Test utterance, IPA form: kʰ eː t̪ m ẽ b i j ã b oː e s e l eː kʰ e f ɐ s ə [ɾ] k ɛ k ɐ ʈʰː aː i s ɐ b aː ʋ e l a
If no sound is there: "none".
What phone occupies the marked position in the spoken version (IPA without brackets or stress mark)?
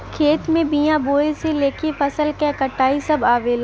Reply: l